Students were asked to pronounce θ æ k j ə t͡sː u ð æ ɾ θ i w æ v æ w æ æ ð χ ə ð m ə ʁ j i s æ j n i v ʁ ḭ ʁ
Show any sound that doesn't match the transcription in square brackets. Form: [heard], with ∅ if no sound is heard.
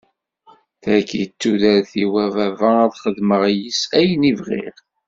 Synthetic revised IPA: θ æ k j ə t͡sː u ð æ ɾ θ i w æ v æ [v] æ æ ð χ ə ð m ə ʁ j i s æ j n i v ʁ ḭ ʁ